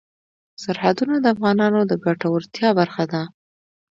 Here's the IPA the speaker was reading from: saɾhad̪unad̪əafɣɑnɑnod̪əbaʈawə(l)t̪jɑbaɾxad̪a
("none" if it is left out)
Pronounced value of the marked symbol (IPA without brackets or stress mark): ɾ